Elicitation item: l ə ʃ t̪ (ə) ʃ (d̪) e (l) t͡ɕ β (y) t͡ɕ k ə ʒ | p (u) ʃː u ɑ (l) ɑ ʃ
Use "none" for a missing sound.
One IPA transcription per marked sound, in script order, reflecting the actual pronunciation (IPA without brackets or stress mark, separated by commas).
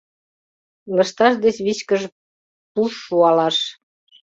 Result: ɑ, d̪, none, i, u, l